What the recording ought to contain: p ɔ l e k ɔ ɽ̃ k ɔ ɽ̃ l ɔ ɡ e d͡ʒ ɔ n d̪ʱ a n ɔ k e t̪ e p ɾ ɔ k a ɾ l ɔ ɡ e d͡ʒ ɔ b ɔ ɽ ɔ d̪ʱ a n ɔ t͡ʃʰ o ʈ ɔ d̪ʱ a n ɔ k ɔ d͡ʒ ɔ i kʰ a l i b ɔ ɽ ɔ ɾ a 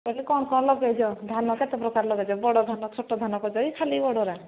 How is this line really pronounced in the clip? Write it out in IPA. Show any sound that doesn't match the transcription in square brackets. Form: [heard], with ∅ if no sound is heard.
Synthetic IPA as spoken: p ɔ l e k ɔ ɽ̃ k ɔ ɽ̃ l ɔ ɡ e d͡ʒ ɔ [∅] d̪ʱ a n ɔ k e t̪ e p ɾ ɔ k a ɾ l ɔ ɡ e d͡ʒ ɔ b ɔ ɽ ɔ d̪ʱ a n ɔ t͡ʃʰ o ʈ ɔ d̪ʱ a n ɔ k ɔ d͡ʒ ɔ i kʰ a l i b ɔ ɽ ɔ ɾ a